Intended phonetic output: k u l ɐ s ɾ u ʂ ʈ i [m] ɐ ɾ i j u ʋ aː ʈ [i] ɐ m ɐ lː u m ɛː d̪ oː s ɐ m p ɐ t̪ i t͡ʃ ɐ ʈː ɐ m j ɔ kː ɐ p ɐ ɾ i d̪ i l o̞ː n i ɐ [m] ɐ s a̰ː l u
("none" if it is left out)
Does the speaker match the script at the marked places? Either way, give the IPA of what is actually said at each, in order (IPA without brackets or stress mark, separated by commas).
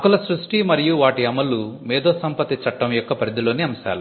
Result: m, i, m